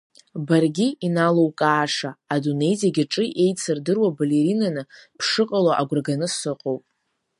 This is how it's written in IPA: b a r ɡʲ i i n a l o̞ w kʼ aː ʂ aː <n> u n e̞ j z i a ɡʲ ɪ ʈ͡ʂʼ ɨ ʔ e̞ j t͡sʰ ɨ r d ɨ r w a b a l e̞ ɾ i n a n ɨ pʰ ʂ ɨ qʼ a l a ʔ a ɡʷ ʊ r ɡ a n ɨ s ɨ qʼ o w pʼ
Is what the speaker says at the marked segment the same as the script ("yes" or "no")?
no